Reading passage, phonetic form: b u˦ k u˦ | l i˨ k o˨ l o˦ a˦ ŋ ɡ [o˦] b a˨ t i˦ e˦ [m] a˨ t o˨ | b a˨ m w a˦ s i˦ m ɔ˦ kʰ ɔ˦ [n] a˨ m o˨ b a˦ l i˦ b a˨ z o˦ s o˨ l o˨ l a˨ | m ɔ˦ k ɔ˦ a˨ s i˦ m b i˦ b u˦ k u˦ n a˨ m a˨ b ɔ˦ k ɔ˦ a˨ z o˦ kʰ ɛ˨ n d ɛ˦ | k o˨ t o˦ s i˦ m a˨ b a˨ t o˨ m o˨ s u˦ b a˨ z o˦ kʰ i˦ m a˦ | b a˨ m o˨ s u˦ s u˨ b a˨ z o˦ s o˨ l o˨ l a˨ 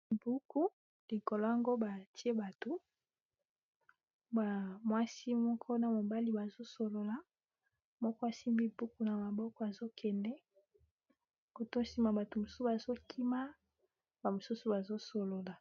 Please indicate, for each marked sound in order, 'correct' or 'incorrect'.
correct, incorrect: b, correct

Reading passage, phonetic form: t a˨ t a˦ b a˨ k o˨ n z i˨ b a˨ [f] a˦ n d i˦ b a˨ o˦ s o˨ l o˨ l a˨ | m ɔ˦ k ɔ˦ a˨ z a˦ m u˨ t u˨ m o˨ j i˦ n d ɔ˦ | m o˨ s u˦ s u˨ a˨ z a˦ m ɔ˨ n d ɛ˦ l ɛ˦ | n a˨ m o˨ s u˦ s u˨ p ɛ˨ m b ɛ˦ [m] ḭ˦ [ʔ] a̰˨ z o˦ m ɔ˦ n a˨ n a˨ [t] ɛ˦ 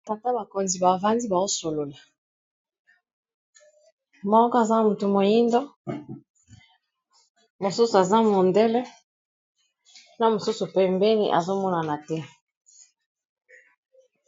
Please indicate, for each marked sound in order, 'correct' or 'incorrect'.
incorrect: v, incorrect: n, correct, correct

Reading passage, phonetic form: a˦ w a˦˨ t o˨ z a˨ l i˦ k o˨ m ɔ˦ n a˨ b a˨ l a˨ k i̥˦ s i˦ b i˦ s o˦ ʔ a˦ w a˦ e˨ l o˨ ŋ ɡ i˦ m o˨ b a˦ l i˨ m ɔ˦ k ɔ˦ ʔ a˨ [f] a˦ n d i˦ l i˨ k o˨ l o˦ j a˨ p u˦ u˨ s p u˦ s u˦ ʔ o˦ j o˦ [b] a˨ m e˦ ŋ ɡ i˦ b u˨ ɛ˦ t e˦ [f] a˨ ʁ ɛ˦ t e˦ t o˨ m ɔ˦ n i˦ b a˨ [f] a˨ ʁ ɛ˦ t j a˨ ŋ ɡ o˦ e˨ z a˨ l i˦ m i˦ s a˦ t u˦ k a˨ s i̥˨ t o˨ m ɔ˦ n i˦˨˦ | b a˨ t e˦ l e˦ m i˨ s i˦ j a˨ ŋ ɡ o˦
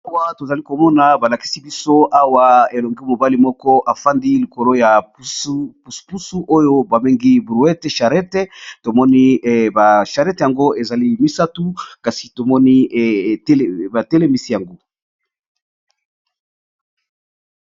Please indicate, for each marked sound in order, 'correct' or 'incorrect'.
correct, correct, incorrect: ʃ, incorrect: ʃ

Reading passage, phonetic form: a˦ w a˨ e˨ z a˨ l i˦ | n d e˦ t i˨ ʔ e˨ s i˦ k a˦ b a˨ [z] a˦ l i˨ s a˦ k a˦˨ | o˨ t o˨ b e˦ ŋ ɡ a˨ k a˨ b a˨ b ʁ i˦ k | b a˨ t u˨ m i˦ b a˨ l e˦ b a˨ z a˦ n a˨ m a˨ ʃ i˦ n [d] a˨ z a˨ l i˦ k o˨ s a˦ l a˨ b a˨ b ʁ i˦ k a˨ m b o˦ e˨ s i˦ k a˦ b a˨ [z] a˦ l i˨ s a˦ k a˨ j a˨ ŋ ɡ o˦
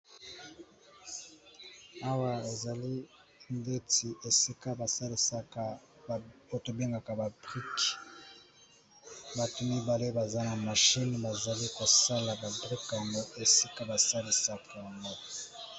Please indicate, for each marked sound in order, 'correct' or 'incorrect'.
incorrect: s, incorrect: b, incorrect: s

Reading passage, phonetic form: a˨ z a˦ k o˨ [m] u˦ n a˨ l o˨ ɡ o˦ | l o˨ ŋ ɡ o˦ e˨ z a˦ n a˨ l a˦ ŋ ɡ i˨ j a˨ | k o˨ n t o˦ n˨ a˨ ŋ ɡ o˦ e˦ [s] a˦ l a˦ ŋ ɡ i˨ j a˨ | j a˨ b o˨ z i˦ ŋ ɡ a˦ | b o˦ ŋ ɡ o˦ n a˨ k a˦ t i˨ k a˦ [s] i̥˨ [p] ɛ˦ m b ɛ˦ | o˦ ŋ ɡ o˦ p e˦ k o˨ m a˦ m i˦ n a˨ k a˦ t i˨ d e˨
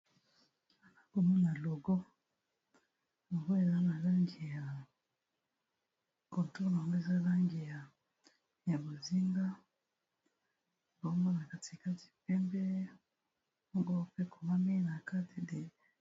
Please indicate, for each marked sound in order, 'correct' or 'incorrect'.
correct, incorrect: z, incorrect: t, correct

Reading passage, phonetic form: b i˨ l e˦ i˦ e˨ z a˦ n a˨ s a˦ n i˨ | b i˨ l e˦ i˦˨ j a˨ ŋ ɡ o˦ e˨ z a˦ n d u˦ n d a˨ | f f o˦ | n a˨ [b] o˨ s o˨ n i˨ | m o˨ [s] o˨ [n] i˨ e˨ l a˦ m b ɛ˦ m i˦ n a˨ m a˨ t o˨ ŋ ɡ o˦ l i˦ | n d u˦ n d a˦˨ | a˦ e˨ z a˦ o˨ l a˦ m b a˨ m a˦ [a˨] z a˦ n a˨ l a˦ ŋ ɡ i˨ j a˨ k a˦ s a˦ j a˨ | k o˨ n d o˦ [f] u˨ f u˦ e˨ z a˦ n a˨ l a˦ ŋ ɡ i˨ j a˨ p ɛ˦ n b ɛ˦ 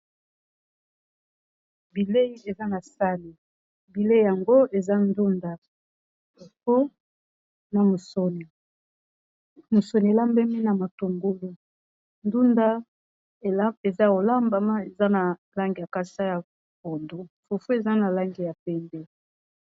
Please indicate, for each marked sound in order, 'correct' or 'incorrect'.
incorrect: m, correct, correct, incorrect: e˨, correct

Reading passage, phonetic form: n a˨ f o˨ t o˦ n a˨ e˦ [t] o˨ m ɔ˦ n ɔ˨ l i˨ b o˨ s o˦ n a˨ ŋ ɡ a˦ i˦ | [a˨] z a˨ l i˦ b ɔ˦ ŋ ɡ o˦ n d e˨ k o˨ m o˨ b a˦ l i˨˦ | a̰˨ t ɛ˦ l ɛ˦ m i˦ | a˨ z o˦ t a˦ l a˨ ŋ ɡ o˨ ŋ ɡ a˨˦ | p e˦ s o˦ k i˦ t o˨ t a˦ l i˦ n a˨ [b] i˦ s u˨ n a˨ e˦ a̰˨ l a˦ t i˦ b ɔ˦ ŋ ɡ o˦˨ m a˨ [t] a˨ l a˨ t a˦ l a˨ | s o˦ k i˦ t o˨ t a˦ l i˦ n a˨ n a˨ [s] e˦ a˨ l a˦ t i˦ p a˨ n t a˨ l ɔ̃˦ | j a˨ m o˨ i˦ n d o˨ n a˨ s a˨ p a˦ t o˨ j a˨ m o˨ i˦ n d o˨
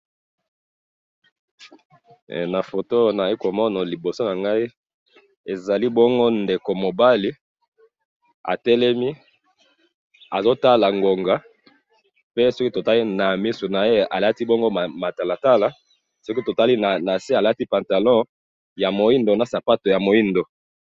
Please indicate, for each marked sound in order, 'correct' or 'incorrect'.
incorrect: k, incorrect: e˨, incorrect: m, correct, correct

